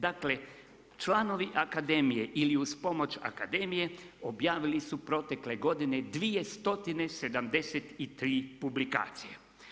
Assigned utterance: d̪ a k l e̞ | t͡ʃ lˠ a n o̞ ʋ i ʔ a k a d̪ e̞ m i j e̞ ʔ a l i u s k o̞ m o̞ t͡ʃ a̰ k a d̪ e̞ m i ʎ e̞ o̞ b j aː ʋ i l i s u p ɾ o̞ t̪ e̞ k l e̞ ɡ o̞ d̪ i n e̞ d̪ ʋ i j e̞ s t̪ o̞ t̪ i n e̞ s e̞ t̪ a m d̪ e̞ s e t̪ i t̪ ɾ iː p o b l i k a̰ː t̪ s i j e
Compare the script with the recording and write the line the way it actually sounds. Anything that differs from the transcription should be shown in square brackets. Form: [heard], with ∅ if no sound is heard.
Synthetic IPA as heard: d̪ a k l e̞ | t͡ʃ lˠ a n o̞ ʋ i ʔ a k a d̪ e̞ m i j e̞ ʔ [i] l i u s [p] o̞ m o̞ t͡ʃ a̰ k a d̪ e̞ m i [j] e̞ o̞ b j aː ʋ i l i s u p ɾ o̞ t̪ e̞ k l e̞ ɡ o̞ d̪ i n e̞ d̪ ʋ i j e̞ s t̪ o̞ t̪ i n e̞ s e̞ [d̪] a m d̪ e̞ s e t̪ i t̪ ɾ iː p [u] b l i k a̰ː t̪ s i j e

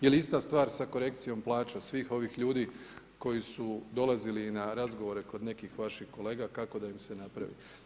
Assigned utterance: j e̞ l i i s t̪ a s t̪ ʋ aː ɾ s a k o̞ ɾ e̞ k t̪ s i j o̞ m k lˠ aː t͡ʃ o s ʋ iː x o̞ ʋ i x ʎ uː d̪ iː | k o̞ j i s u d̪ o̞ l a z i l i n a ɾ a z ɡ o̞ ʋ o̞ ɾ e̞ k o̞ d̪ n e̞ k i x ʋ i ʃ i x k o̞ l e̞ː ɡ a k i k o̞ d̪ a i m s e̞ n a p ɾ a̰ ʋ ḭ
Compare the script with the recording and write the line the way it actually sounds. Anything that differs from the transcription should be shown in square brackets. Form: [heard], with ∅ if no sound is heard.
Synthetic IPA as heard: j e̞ l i i s t̪ a s t̪ ʋ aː ɾ s a k o̞ ɾ e̞ k t̪ s i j o̞ m [p] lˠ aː t͡ʃ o s ʋ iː x o̞ ʋ i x ʎ uː d̪ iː | k o̞ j i s u d̪ o̞ l a z i l i n a ɾ a z ɡ o̞ ʋ o̞ ɾ e̞ k o̞ d̪ n e̞ k i x ʋ [a] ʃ i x k o̞ l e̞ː ɡ a k [a] k o̞ d̪ a i m s e̞ n a p ɾ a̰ ʋ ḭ

